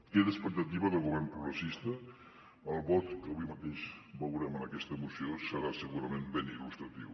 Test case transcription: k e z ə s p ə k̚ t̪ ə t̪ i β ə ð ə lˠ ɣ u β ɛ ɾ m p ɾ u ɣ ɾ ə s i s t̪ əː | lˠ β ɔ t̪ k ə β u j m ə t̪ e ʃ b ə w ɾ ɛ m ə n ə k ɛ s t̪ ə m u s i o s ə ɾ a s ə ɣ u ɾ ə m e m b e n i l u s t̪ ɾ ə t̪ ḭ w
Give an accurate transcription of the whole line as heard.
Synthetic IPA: k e ð ə s p ə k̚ t̪ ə t̪ i β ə ð ə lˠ ɣ u β ɛ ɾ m p ɾ u ɣ ɾ ə s i s t̪ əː | lˠ β ɔ t̪ k ə β u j m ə t̪ e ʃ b ə w ɾ ɛ m ə n ə k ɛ s t̪ ə m u s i o s ə ɾ a s ə ɣ u ɾ ə m e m b e n i l u s t̪ ɾ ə t̪ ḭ w